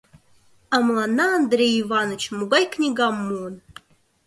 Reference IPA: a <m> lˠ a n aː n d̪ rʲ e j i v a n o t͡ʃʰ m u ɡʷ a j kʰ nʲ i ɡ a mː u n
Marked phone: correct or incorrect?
correct